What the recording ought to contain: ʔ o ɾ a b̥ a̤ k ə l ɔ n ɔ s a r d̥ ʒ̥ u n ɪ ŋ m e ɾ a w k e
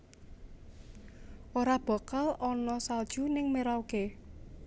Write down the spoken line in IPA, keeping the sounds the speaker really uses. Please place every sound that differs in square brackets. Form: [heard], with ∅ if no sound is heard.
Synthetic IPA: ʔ o ɾ a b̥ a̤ k [a] l ɔ n ɔ s a [l] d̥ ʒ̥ u n ɪ ŋ m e ɾ a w k e